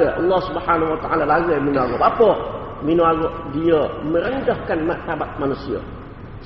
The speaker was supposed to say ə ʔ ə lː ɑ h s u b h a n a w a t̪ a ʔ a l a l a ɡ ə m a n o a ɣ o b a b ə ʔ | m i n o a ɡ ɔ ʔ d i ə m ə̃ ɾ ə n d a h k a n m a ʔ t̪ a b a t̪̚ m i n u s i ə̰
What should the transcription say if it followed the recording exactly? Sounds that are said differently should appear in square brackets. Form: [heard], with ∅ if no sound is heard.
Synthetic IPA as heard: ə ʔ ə lː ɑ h s u b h a n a w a t̪ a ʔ a l a l a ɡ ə m [i] n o a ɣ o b a [p] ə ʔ | m i n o a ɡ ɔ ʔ d i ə m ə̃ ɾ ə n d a h k a n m a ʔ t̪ a b a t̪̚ m [a] n u s i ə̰